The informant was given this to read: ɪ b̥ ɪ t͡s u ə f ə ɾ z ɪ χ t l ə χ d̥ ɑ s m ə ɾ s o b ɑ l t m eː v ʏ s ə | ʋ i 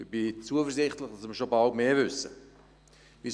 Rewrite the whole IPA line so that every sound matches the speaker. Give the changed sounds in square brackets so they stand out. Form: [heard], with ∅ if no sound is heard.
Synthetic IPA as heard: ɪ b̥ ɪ t͡s u ə f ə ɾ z ɪ χ t l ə χ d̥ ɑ s m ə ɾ [ʃ] o b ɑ l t m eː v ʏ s ə | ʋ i